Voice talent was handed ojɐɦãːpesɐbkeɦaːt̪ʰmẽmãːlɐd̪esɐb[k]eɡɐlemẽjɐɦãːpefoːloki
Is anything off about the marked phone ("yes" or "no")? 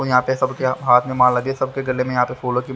no